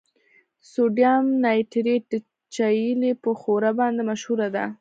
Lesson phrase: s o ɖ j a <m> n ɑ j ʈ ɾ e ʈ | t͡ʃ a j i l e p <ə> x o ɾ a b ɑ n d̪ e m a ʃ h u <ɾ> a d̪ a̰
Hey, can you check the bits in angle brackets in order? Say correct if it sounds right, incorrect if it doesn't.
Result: correct, correct, correct

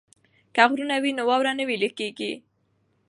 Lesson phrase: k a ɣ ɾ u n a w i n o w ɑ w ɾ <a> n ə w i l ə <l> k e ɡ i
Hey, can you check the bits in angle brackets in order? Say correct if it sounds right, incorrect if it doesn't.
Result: correct, incorrect: none

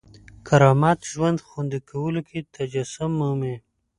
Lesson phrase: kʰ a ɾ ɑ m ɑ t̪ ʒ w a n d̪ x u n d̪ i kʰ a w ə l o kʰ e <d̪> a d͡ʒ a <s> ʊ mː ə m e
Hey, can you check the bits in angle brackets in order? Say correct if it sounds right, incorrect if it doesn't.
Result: incorrect: t̪, correct

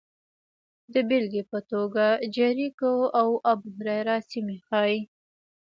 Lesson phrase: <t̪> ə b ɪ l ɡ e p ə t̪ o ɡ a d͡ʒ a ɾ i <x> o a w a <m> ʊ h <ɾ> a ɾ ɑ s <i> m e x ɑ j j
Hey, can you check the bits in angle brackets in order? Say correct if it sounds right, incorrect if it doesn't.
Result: incorrect: d̪, incorrect: k, incorrect: b, correct, correct

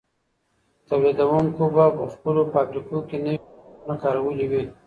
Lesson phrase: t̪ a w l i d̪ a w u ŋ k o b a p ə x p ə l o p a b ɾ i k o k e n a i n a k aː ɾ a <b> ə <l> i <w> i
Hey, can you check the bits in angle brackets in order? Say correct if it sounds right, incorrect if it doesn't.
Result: incorrect: w, correct, correct

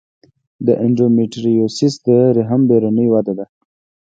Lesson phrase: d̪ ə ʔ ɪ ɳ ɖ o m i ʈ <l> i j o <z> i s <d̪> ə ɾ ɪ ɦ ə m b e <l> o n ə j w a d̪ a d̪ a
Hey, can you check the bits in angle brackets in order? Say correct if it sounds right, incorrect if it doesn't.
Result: incorrect: ɾ, incorrect: s, correct, incorrect: ɾ

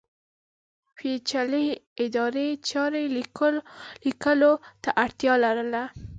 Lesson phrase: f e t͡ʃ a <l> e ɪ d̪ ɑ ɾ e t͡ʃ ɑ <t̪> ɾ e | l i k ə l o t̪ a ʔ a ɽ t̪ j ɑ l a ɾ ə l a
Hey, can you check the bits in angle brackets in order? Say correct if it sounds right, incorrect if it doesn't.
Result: correct, incorrect: none

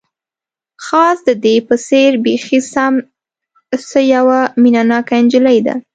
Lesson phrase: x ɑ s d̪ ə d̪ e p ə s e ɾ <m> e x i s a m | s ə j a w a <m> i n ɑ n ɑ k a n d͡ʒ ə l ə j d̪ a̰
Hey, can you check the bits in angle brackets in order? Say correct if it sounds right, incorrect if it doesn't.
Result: incorrect: b, correct

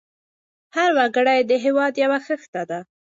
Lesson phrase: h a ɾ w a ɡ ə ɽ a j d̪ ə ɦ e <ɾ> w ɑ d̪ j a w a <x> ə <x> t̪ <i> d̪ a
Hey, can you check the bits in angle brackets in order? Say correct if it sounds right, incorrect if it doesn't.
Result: incorrect: none, correct, correct, incorrect: a

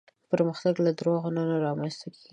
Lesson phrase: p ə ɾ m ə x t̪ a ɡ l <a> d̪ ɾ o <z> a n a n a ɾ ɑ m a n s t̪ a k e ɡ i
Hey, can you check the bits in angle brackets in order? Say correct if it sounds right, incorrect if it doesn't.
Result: correct, incorrect: ɣ

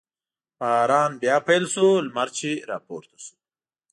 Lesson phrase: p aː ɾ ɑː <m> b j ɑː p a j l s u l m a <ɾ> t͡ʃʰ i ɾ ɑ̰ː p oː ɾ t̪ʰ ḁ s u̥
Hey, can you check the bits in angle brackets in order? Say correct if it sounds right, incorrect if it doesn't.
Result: incorrect: n, correct

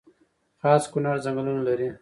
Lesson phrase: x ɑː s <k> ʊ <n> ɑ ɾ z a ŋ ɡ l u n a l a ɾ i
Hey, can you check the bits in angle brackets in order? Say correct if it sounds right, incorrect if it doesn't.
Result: correct, correct

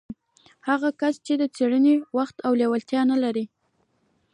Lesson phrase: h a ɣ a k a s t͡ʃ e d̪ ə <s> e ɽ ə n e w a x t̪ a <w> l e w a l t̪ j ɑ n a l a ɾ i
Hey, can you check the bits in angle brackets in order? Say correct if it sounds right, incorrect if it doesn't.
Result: incorrect: t͡s, correct

